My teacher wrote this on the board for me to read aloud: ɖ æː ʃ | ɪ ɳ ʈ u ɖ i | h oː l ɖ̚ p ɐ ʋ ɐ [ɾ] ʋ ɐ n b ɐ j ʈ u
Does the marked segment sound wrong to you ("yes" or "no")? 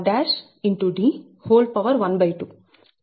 no